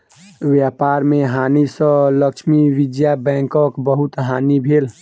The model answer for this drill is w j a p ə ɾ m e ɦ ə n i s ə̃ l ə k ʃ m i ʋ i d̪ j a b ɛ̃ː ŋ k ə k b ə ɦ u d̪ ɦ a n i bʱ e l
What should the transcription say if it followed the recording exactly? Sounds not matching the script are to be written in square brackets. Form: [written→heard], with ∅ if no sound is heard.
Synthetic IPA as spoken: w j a p [ə→a] ɾ m e ɦ [ə→a] n i s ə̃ l ə k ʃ m i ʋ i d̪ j a b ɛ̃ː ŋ k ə k b ə ɦ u [d̪→t̪] ɦ a n i bʱ e l